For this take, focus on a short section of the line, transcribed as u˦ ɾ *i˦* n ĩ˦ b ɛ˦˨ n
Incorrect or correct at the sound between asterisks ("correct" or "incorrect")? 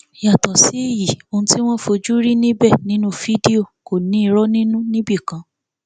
correct